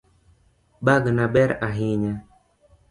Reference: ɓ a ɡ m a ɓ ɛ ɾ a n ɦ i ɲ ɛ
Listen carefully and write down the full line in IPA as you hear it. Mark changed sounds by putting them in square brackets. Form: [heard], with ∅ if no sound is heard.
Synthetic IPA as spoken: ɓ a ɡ [n] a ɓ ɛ ɾ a [∅] ɦ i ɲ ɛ